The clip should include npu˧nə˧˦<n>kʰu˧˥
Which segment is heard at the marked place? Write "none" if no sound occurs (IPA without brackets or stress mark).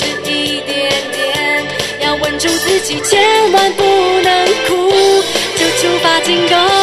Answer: ŋ